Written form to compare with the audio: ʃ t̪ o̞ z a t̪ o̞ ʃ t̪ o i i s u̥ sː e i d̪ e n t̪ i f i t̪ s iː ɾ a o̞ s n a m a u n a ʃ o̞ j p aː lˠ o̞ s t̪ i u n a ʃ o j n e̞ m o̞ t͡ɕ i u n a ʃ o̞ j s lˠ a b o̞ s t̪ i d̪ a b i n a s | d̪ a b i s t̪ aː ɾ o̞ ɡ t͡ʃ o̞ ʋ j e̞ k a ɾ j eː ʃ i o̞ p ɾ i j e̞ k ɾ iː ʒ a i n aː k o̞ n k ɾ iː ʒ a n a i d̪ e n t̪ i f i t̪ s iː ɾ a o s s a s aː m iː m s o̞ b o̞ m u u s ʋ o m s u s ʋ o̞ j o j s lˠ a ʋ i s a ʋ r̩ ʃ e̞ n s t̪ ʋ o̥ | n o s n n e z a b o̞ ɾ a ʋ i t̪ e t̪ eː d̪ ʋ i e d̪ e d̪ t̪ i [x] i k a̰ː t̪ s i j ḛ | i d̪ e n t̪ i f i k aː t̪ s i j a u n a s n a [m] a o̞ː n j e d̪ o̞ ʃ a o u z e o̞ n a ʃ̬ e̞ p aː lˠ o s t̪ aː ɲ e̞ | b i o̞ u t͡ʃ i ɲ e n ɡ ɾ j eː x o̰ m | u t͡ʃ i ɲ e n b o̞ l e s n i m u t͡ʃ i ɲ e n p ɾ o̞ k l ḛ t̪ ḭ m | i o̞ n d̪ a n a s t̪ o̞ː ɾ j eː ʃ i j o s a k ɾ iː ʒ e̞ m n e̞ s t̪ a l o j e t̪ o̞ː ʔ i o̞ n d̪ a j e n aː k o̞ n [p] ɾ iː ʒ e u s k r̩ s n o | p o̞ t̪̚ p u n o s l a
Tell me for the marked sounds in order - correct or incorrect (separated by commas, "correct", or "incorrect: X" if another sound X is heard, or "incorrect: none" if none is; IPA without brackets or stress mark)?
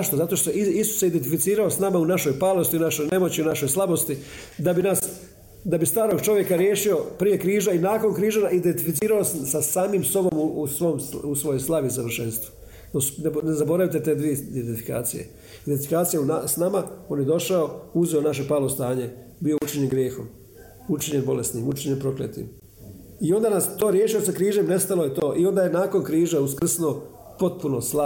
incorrect: f, correct, incorrect: k